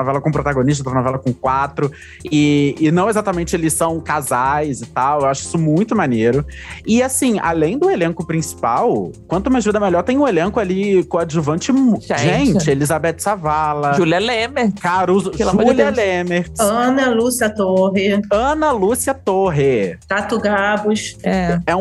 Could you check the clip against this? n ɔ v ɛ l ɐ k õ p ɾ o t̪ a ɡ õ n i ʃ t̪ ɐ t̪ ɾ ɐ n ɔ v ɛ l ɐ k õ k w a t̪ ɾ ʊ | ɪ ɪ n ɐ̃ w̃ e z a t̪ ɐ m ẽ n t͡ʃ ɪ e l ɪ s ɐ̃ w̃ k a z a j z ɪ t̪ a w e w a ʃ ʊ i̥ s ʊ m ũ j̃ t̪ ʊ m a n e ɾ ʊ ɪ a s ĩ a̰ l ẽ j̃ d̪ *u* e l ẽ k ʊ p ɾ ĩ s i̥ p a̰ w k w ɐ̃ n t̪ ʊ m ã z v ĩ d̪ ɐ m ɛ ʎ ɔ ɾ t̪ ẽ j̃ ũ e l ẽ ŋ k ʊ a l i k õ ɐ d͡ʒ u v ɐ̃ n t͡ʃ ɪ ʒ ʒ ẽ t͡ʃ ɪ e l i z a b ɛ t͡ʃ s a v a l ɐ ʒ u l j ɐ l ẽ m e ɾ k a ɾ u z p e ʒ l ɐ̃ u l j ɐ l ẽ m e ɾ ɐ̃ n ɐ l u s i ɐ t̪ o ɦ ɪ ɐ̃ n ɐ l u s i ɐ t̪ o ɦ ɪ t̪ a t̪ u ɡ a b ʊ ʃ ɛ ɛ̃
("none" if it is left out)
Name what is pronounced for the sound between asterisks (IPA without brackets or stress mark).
ʊ